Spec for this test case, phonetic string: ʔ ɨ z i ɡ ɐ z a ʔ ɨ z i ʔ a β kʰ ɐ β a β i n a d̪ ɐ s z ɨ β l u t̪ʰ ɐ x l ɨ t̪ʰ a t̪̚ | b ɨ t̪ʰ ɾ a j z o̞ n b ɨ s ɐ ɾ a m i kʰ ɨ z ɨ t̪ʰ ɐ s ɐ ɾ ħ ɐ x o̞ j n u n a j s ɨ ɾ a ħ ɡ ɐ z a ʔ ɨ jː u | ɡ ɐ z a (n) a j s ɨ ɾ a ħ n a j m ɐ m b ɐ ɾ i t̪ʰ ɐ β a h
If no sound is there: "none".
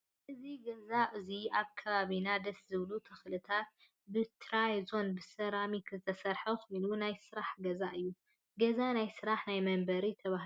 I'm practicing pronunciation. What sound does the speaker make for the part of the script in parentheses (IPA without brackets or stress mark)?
n